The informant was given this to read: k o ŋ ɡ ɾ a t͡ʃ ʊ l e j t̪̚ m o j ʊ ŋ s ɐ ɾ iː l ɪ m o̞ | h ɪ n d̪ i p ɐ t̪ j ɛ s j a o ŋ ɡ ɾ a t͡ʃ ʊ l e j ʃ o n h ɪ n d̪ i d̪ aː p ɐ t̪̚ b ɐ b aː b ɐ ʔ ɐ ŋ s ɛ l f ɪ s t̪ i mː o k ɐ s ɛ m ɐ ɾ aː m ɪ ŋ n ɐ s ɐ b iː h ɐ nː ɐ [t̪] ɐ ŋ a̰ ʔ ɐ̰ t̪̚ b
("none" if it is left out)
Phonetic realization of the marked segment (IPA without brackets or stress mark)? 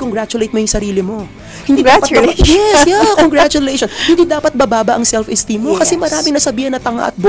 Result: t̪